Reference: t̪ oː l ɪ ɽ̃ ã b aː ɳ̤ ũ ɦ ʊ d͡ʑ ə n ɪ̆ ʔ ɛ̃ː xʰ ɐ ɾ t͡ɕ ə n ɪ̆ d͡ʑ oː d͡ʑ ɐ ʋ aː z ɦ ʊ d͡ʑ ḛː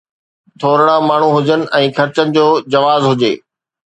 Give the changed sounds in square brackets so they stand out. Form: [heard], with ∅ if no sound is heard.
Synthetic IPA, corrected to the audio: [t̪ʰ] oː [ɾ] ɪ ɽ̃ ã [m] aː ɳ̤ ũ ɦ ʊ d͡ʑ ə n ɪ̆ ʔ ɛ̃ː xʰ ɐ ɾ t͡ɕ ə n ɪ̆ d͡ʑ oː d͡ʑ ɐ ʋ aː z ɦ ʊ d͡ʑ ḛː